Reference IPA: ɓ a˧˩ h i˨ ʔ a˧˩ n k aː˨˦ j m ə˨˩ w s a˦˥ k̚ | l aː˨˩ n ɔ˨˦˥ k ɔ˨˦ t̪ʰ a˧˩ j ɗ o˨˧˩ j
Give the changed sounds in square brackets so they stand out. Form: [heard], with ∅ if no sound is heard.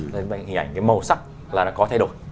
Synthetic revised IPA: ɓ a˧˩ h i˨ ʔ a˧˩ [ŋ] k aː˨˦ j m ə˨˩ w s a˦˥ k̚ | l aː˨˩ n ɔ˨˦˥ k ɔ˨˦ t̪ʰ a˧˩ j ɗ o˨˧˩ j